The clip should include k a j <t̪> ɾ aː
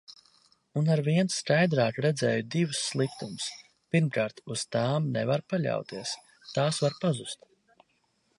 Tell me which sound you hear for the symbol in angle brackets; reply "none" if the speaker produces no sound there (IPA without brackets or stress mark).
d̪